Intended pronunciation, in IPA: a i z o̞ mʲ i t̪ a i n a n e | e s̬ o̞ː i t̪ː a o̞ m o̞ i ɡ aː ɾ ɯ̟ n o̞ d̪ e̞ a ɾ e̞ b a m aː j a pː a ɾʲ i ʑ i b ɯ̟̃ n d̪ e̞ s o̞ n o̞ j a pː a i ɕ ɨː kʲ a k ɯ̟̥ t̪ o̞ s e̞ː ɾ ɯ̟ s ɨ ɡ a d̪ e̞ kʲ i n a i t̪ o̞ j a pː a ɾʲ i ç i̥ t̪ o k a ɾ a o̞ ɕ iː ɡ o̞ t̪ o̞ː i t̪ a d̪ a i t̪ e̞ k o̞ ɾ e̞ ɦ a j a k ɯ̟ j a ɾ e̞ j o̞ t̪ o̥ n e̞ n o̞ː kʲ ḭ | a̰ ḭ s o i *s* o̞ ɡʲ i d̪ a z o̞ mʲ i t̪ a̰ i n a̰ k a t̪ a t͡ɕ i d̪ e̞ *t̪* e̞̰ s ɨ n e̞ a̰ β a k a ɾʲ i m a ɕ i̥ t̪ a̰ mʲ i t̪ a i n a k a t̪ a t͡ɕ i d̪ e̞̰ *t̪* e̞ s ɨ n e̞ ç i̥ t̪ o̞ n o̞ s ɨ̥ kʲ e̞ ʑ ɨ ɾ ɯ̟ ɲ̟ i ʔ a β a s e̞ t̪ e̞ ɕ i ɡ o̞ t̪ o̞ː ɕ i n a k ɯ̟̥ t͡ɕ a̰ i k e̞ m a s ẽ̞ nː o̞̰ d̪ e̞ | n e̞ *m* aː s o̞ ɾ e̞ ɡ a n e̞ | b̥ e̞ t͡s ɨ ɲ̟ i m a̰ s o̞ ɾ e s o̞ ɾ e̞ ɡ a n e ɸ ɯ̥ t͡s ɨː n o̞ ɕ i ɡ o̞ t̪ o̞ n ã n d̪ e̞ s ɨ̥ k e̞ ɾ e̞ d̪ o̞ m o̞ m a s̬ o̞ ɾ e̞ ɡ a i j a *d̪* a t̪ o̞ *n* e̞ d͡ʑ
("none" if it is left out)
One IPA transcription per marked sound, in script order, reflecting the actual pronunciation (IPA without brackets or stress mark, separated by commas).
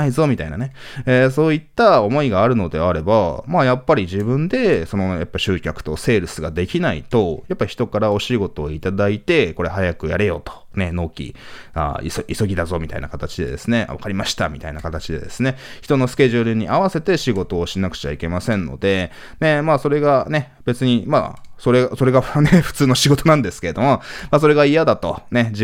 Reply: s, d̪, d̪, m, d̪, n